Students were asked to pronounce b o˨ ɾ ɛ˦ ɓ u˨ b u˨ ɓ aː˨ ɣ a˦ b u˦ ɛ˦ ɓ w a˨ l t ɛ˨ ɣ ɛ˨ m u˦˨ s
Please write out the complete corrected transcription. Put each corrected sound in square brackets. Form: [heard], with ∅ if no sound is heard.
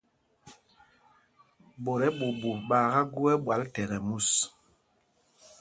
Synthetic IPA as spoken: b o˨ ɾ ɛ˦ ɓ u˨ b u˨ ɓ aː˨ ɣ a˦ [ɡ] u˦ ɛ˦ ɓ w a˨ l t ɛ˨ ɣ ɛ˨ m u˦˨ s